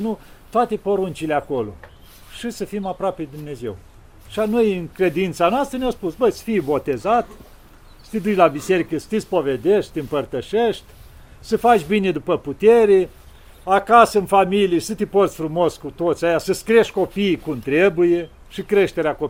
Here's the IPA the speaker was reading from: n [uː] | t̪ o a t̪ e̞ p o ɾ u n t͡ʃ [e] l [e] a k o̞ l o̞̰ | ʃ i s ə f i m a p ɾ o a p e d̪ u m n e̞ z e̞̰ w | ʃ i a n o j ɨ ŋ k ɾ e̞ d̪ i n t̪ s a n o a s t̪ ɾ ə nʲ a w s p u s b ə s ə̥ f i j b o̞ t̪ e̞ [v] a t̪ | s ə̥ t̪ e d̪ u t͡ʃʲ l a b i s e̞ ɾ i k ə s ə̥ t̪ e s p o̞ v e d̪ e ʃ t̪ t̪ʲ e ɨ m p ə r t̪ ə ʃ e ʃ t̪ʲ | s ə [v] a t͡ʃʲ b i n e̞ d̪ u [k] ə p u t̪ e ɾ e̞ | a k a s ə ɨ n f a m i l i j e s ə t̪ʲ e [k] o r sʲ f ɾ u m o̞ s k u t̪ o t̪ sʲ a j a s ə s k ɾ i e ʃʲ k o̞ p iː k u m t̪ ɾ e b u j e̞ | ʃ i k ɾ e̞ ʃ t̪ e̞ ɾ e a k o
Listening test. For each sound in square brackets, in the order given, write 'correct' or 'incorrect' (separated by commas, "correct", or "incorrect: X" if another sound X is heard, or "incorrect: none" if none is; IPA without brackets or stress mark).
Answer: incorrect: u, incorrect: i, correct, incorrect: z, incorrect: f, incorrect: p, incorrect: p